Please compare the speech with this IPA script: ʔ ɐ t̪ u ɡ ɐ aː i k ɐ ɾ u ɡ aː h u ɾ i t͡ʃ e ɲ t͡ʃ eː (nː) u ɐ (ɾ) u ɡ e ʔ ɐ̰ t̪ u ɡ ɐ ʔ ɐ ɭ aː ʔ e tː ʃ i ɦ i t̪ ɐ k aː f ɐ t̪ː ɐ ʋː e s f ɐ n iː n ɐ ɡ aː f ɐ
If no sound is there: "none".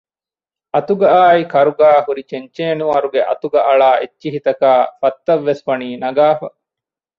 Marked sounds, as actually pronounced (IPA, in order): n, ɾ

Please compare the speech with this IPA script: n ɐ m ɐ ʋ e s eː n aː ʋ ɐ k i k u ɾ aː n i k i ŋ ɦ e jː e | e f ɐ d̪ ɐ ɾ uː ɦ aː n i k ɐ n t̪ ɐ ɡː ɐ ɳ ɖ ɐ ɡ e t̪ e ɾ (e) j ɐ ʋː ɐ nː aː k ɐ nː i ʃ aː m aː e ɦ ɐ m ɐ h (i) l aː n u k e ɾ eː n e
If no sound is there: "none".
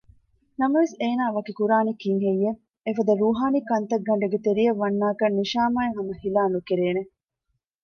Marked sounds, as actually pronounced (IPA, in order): i, i

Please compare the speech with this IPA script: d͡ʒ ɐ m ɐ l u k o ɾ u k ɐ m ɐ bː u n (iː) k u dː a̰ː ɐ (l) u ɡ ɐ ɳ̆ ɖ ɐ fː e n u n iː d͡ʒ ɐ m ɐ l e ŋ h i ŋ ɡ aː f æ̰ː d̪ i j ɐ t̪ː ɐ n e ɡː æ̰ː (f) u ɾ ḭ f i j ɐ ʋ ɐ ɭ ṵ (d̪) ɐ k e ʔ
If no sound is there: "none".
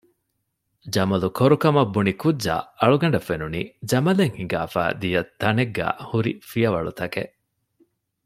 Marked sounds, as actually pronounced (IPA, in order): i, ɭ, h, t̪

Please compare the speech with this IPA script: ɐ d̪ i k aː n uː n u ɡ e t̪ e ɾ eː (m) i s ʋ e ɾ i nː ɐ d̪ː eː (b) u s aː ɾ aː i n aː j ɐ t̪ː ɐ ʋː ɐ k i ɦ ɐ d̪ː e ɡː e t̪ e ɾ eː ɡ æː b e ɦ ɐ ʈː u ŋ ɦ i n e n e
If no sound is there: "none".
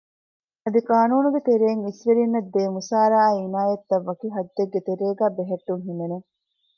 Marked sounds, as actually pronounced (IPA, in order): ŋ, m

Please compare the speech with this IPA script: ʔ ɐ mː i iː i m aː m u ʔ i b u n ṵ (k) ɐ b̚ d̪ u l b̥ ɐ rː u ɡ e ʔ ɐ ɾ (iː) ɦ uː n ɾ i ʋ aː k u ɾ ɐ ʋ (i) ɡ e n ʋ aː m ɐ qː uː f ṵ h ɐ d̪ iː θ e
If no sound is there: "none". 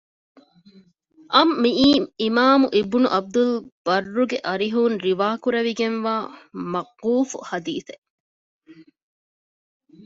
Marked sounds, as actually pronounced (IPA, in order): ʔ, i, i

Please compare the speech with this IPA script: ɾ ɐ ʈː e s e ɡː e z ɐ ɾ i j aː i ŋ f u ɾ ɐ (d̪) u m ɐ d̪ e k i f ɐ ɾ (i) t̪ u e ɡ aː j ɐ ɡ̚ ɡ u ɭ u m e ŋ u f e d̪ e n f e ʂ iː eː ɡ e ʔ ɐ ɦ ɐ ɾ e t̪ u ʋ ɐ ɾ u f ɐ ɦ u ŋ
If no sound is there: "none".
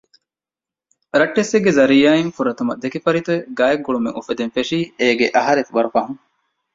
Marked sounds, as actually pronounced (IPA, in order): t̪, i

